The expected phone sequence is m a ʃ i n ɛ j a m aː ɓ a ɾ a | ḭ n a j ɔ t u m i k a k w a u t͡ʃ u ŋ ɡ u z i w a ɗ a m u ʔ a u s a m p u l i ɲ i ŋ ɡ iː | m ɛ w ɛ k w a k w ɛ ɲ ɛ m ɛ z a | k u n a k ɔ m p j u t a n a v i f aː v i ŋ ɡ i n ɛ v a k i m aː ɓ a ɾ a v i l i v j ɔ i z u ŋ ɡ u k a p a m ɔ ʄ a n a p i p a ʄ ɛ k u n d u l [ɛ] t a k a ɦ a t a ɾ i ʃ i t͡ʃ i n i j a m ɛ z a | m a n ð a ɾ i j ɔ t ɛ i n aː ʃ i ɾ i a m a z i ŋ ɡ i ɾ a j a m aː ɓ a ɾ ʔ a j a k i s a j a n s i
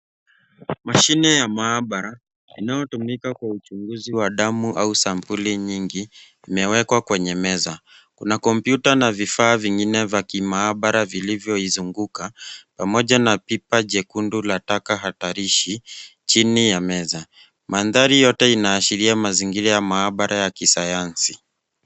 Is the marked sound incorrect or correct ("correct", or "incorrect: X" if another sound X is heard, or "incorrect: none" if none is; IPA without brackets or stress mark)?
incorrect: a